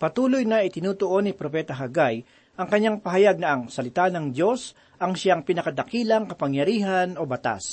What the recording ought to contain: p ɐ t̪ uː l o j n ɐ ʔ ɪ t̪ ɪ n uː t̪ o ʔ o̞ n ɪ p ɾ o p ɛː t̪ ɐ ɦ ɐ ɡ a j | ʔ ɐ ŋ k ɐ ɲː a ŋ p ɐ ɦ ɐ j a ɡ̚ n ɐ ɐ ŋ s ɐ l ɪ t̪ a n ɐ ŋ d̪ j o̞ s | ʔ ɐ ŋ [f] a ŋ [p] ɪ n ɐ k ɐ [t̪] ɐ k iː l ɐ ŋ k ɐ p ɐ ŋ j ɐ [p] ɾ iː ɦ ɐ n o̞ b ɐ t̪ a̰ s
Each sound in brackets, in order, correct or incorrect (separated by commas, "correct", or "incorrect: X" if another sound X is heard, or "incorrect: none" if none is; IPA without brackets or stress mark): incorrect: ʃ, correct, incorrect: d̪, incorrect: none